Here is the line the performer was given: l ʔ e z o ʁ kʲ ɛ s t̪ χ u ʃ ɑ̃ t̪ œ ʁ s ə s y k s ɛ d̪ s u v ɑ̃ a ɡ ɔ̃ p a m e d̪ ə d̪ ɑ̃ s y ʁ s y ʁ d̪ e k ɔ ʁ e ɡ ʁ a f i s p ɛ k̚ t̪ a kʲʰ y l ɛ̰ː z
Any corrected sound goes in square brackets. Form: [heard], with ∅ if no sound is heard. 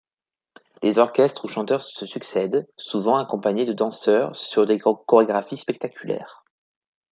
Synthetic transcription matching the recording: l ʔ e z [ɔ] ʁ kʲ ɛ s t̪ χ u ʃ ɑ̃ t̪ œ ʁ s ə s y k s ɛ d̪ s u v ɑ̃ a [k] ɔ̃ p a [ɲ] e d̪ ə d̪ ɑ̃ s [œ] ʁ s y ʁ d̪ e k ɔ ʁ e ɡ ʁ a f i s p ɛ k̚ t̪ a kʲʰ y l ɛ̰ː [ʁ]